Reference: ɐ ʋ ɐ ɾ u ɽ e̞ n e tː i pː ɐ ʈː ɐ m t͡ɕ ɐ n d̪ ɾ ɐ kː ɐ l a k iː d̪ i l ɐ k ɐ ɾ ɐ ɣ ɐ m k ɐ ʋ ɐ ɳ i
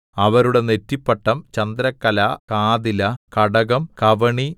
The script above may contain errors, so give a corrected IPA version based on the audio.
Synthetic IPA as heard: ɐ ʋ ɐ ɾ u ɽ e̞ n e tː i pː ɐ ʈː ɐ m t͡ɕ ɐ n d̪ ɾ ɐ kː ɐ l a k aː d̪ i l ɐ k ɐ ɽ ɐ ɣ ɐ m k ɐ ʋ ɐ ɳ i